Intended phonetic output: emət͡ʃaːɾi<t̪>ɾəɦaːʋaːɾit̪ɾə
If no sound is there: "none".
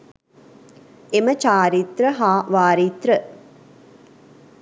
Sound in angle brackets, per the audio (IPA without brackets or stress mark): t̪